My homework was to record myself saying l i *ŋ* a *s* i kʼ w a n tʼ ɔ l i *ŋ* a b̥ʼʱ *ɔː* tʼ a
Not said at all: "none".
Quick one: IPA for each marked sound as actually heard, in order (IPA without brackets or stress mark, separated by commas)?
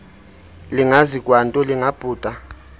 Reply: ŋ, z, ŋ, uː